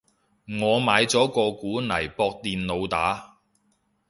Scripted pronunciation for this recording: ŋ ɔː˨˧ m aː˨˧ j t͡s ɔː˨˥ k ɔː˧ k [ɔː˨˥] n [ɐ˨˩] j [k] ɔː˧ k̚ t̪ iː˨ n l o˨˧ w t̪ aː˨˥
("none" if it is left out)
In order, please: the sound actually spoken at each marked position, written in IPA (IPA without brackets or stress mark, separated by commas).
uː˨˥, ɐ˨˩, p